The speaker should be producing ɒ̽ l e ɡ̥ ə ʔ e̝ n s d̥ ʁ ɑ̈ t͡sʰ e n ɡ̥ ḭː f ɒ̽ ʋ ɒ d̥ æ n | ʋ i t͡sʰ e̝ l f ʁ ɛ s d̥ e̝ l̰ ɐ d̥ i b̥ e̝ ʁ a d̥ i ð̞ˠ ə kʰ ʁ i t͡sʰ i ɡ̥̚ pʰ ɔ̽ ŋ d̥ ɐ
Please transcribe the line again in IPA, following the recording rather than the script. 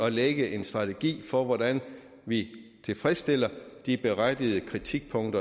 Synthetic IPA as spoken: ɒ̽ l e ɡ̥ ə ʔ e̝ n s d̥ ʁ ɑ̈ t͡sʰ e ɡ̥ ḭː f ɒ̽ ʋ ɒ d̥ æ n | ʋ i t͡sʰ e̝ l f ʁ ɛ s d̥ e̝ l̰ ɐ d̥ i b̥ e̝ ʁ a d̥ i ð̞ˠ ə kʰ ʁ i t͡sʰ i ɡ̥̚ pʰ ɔ̽ ŋ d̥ ɐ